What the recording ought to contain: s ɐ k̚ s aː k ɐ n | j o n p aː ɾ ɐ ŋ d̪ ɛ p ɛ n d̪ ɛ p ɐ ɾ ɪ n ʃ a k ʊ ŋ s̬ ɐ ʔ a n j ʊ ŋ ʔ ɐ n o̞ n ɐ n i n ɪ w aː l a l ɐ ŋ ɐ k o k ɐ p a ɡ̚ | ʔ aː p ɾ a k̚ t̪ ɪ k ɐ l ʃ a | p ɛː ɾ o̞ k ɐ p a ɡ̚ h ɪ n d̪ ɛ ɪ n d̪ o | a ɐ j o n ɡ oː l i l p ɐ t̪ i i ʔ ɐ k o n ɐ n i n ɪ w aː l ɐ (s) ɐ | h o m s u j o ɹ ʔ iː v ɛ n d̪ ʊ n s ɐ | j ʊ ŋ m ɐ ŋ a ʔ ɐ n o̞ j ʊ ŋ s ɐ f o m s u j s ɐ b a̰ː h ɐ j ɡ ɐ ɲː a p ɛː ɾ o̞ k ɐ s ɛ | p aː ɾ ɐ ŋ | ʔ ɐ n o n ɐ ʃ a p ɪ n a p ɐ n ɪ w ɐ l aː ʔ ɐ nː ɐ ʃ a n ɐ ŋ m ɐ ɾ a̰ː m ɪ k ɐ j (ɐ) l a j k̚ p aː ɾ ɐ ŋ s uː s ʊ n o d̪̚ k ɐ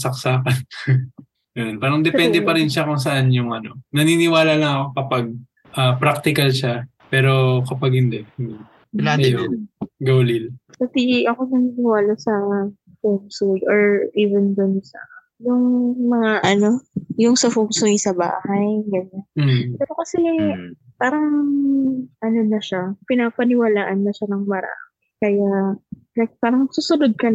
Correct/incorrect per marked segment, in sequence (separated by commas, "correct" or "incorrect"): correct, incorrect